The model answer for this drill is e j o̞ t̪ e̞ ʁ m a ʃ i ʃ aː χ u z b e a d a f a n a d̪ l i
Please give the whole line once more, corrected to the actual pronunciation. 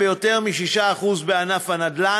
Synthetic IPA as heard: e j o̞ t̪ e̞ ʁ m i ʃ i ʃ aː χ u z b e a n a f a n a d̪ l a